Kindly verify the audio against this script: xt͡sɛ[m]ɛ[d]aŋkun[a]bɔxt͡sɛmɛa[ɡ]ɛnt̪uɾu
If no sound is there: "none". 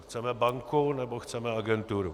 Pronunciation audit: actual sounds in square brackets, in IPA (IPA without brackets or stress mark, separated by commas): m, b, ɛ, ɡ